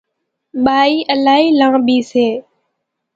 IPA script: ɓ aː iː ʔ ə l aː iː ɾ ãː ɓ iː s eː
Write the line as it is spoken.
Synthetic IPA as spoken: ɓ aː iː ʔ ə l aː iː l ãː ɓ iː s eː

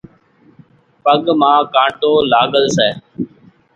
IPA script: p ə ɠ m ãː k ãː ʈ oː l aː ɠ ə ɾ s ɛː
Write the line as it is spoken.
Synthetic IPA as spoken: p ə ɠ m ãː k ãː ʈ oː l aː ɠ ə l s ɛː

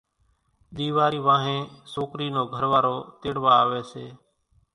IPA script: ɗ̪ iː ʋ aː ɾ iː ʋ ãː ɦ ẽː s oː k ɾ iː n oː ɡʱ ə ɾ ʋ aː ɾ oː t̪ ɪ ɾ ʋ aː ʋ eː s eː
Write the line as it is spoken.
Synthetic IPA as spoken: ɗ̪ iː ʋ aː ɾ iː ʋ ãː ɦ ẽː s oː k ɾ iː n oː ɡʱ ə ɾ ʋ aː ɾ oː t̪ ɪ ɽ ʋ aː ʋ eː s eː

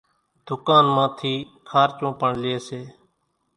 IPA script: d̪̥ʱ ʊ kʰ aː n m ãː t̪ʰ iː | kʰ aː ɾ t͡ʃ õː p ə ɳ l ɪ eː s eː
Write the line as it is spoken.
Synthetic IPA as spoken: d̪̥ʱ ʊ k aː n m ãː t̪ʰ iː | kʰ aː ɾ t͡ʃ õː p ə ɳ l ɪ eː s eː

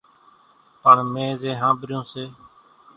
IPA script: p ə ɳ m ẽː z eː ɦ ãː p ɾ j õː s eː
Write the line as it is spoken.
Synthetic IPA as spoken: p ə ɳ m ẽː z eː ɦ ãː b ɾ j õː s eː

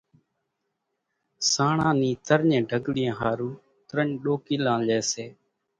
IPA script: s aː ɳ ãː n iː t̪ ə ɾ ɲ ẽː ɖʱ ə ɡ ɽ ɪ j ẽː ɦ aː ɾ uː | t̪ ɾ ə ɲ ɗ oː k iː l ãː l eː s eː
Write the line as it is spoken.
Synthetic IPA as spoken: s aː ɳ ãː n iː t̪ ə ɾ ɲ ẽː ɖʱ ə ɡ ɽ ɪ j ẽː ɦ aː ɾ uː | t̪ ɾ ə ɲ ɗ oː k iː l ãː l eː s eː

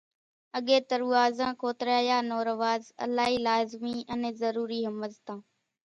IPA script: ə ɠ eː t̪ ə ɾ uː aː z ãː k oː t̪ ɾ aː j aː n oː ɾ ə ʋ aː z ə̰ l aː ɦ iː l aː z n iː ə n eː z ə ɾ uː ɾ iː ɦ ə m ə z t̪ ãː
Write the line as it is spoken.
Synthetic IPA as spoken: ə ɠ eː t̪ ə ɾ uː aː z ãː k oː t̪ ɾ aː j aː n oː ɾ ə ʋ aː z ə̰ l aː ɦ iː l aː z m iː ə n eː z ə ɾ uː ɾ iː ɦ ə m ə z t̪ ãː

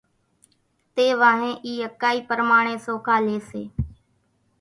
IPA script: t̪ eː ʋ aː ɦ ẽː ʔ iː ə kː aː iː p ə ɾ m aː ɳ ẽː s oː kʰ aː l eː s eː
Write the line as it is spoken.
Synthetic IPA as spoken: t̪ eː ʋ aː ɦ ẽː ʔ iː ə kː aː iː p ə ɾ m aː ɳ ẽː s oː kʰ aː l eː s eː

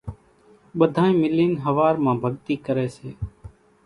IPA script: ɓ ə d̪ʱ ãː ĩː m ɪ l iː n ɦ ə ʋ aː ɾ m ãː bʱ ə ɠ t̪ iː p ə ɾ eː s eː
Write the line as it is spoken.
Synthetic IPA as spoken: ɓ ə d̪ʱ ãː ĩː m ɪ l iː n ɦ ə ʋ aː ɾ m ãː bʱ ə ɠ t̪ iː k ə ɾ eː s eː

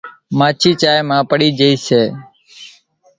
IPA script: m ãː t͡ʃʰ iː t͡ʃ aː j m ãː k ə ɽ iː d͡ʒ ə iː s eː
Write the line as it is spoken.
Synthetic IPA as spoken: m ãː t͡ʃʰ iː t͡ʃ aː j m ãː p ə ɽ iː d͡ʒ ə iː s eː

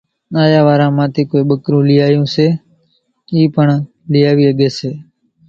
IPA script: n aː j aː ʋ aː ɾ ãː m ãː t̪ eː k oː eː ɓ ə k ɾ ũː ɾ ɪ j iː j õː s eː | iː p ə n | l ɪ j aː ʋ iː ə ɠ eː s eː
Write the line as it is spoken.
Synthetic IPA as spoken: n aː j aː ʋ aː ɾ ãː m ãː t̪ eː k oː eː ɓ ə k ɾ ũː l ɪ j aː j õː s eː | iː p ə ɳ | l ɪ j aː ʋ iː ə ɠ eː s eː

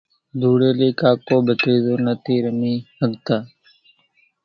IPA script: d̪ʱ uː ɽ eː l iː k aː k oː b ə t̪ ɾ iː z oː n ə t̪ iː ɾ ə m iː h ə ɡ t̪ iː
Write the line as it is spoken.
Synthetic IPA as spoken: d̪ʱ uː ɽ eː l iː k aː k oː b ə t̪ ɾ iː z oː n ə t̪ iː ɾ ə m iː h ə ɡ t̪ aː

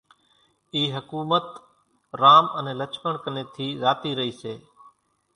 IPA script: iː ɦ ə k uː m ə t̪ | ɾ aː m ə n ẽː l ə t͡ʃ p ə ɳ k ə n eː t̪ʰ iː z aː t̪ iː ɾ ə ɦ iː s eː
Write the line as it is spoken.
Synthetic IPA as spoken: iː ɦ ə k uː m ə t̪ | ɾ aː m ə n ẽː l ə t͡ʃ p ə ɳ k ə n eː t̪ʰ iː z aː t̪ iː ɾ ə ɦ iː s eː

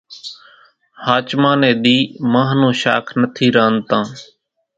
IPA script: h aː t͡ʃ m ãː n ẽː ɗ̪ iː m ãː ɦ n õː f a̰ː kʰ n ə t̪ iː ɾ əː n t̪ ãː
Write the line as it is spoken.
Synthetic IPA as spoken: h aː t͡ʃ m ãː n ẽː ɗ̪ iː m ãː ɦ n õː ʃ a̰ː kʰ n ə t̪ʰ iː ɾ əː n t̪ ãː

